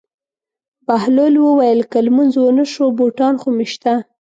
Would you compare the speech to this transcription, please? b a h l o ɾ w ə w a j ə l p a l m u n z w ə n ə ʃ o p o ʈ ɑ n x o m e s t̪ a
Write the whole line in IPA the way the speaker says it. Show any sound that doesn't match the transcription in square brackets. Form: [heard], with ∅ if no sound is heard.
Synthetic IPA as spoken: b a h l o [l] w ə w a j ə l [k] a l m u n z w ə n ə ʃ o [b] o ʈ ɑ n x o m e [ʃ] t̪ a